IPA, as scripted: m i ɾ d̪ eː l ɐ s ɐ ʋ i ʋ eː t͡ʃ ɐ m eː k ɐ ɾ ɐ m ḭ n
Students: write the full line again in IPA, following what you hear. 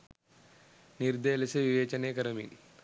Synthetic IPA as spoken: n i ɾ d̪ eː l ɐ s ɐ ʋ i ʋ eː t͡ʃ ɐ n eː k ɐ ɾ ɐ m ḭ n